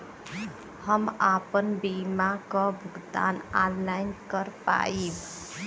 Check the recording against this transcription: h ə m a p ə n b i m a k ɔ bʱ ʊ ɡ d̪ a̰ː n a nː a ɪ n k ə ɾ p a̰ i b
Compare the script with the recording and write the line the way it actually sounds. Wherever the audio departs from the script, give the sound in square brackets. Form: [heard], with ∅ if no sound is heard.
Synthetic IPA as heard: h ə m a p ə n b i m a k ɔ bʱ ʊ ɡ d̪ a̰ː n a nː a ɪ n k ə ɾ p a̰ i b